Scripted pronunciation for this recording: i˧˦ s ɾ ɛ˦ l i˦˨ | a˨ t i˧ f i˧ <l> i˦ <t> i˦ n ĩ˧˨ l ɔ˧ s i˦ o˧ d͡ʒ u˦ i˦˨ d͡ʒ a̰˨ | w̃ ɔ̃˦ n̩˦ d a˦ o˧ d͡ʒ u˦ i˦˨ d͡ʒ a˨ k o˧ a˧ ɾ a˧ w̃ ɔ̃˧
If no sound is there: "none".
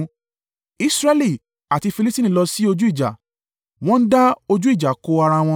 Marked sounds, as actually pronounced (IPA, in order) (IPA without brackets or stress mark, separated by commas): l, t